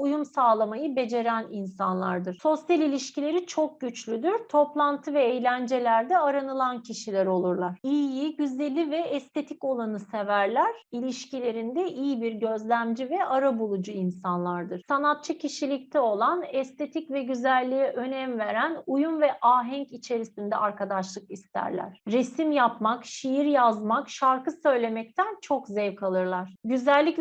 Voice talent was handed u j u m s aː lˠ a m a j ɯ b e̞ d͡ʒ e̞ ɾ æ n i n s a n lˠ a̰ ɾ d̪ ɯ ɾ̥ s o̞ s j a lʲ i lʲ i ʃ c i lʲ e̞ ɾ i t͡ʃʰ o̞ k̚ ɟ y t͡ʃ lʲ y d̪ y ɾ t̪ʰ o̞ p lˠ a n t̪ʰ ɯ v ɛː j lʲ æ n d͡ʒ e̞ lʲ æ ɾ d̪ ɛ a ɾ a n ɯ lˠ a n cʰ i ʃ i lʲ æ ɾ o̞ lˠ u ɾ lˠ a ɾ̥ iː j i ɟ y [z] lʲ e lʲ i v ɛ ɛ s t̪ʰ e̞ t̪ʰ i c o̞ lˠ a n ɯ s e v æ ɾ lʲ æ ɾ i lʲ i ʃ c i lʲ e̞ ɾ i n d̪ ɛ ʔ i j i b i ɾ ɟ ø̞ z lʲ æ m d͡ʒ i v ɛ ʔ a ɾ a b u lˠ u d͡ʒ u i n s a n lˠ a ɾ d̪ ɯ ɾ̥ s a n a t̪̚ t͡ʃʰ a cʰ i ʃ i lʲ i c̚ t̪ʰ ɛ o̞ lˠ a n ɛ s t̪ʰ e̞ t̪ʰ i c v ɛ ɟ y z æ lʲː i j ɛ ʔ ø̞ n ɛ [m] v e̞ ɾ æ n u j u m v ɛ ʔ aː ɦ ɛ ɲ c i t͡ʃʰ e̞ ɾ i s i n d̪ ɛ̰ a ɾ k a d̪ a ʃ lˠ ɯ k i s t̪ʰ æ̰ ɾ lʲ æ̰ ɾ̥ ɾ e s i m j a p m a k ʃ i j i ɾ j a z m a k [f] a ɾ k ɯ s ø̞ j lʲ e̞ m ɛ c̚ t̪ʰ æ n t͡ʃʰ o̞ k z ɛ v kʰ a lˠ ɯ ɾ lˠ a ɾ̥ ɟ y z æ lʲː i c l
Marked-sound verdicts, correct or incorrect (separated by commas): correct, correct, incorrect